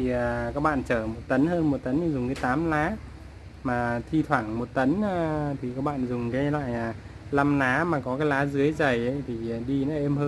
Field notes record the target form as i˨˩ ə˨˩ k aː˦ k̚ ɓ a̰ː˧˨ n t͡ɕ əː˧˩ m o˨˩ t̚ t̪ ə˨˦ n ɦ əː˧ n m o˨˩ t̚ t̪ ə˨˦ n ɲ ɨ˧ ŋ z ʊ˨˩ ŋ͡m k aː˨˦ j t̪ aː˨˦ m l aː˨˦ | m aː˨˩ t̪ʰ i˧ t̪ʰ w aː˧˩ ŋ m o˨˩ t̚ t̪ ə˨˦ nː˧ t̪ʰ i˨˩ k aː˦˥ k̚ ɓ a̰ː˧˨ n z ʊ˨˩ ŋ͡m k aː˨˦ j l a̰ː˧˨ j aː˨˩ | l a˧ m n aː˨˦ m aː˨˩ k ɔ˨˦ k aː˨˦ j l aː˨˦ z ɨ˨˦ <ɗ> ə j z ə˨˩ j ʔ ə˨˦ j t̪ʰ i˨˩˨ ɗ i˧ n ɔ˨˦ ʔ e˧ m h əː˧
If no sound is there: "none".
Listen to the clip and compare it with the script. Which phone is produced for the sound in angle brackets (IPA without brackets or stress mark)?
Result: none